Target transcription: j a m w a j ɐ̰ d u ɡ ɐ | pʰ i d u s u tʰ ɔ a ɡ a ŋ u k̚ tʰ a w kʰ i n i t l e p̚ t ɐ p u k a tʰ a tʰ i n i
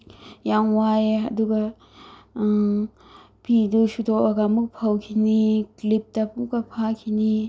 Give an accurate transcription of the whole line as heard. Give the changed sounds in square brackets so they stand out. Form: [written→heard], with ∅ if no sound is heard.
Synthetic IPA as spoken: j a [m→ŋ] w a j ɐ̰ d u ɡ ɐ | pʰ i d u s u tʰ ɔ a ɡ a [ŋ→m] u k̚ [tʰ→pʰ] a w kʰ i n i [t→k] l [e→i] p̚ t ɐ p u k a [tʰ→pʰ] a [tʰ→kʰ] i n i